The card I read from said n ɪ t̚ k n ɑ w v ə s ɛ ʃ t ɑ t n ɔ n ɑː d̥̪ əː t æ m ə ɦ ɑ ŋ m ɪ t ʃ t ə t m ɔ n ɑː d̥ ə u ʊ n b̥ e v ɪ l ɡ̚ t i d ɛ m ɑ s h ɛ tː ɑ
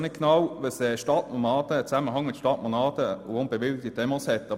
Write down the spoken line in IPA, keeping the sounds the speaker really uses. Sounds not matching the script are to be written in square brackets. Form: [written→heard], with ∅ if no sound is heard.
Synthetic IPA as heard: n ɪ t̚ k n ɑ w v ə s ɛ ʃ t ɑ t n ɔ n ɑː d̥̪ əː [t→t͡s] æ m ə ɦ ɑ ŋ m ɪ t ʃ t [ə→ɑ] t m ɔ n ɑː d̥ ə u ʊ n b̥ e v ɪ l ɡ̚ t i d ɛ m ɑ s h ɛ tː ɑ